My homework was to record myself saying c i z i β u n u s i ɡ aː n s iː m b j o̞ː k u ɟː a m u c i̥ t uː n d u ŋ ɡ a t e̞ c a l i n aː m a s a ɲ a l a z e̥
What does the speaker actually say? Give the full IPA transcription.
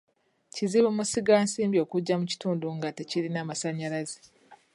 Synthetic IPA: c i z i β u m u s i ɡ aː n s iː m b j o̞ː k u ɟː a m u c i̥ t uː n d u ŋ ɡ a t e̞ c i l i n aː m a s a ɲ a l a z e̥